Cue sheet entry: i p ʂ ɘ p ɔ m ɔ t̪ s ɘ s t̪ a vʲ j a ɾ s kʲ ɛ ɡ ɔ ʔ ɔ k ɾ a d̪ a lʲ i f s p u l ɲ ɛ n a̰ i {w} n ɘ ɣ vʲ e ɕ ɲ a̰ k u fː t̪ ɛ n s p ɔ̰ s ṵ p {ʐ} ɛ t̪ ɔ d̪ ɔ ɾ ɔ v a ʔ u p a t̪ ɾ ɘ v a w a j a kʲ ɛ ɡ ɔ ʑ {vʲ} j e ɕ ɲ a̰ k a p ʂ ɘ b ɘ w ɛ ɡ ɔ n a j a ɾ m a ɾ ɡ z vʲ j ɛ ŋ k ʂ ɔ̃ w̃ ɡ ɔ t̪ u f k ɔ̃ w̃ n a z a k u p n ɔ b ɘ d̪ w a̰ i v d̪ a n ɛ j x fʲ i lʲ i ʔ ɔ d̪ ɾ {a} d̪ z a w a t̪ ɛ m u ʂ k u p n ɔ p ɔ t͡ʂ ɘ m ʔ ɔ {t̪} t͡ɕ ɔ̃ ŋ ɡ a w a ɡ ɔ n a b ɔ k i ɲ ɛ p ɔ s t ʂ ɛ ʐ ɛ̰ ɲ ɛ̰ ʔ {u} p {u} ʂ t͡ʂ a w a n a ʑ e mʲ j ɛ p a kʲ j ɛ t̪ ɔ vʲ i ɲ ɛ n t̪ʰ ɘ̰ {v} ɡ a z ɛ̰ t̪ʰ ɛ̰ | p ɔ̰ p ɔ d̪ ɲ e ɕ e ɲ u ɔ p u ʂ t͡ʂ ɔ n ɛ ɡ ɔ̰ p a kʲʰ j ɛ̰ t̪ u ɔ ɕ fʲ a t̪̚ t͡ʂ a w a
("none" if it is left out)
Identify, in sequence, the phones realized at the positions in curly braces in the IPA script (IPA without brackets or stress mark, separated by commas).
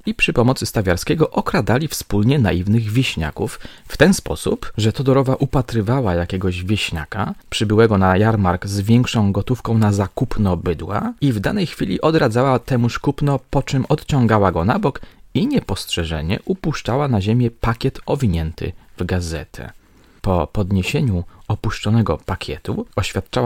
v, ʐ, vʲ, a, t̪, u, u, v